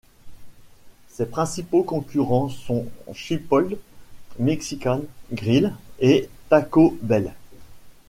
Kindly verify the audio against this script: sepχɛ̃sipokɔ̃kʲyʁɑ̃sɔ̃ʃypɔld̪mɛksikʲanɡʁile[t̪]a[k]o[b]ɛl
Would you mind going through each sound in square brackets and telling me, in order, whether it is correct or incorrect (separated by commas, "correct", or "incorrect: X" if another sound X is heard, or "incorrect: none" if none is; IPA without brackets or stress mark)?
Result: correct, correct, correct